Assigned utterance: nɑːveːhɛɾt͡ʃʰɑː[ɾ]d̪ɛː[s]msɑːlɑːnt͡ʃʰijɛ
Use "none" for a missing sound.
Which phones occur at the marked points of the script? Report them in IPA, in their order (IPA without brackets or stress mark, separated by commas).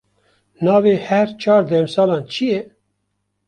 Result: ɾ, none